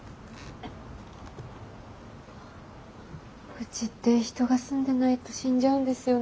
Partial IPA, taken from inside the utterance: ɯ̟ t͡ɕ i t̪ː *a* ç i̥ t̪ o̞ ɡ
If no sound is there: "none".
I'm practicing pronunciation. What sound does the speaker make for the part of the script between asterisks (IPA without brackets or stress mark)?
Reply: e